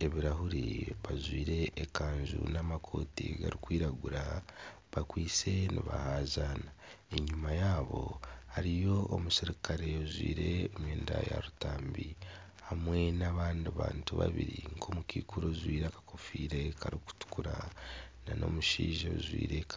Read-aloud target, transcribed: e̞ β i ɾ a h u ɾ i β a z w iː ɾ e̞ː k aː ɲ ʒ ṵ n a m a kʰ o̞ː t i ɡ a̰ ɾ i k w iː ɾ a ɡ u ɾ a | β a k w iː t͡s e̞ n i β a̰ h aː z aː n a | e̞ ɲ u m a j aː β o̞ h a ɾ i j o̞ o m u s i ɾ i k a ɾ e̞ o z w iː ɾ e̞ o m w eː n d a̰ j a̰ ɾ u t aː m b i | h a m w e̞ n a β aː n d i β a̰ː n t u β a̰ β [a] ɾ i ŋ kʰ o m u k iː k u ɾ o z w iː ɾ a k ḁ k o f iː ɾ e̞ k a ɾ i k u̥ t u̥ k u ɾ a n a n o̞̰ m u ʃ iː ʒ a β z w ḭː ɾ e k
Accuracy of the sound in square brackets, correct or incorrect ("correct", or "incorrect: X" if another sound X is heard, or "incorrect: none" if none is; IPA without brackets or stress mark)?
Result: incorrect: i